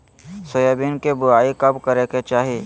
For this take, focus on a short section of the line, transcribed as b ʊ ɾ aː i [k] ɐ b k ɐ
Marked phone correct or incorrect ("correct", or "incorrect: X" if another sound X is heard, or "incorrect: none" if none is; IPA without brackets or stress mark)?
correct